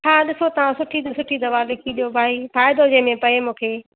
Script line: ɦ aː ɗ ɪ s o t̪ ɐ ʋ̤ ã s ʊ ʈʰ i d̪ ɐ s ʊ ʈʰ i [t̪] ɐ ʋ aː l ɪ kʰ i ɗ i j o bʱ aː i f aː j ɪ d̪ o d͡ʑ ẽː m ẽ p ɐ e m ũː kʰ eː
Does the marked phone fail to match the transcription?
yes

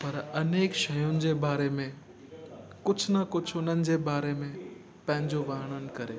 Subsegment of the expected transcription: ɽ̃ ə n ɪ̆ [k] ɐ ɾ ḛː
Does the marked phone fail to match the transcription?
no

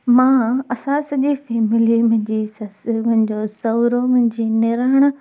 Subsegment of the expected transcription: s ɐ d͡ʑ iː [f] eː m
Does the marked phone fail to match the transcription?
no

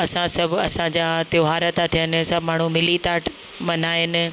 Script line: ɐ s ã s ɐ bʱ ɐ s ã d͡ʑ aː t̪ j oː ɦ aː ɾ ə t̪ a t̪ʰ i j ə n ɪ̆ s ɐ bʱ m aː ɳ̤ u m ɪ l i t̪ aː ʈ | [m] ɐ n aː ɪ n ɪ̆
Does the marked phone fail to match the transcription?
no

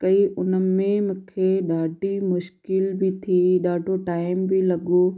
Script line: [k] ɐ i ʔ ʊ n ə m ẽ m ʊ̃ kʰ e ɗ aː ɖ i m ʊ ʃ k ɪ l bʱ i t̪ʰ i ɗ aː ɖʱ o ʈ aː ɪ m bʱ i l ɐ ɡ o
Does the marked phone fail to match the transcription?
no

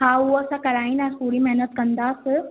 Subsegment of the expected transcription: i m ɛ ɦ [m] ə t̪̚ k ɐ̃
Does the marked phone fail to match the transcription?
yes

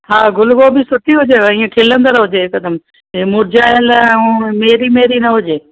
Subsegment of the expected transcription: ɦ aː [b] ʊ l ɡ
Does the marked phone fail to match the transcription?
yes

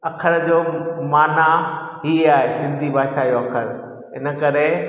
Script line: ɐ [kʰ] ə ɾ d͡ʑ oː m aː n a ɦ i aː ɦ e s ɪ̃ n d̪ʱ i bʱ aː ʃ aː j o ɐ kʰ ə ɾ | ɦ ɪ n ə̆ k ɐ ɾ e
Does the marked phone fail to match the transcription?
no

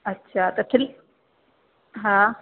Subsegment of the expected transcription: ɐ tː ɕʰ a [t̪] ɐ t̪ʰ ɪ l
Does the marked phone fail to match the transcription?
no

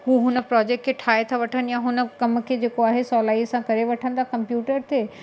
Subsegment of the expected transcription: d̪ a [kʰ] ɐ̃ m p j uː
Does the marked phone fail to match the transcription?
yes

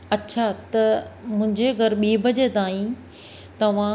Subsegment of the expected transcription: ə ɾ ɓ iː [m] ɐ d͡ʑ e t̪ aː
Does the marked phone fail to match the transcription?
yes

